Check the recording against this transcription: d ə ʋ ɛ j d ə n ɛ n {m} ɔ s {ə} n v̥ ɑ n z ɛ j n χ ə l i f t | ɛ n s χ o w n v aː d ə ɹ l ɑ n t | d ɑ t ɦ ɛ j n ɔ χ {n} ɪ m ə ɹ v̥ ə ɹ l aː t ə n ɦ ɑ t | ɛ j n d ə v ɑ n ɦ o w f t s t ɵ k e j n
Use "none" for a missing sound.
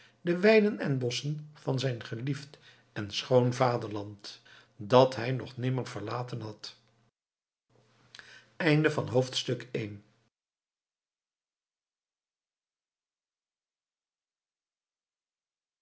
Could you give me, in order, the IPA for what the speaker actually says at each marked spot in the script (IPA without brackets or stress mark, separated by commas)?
b, ə, n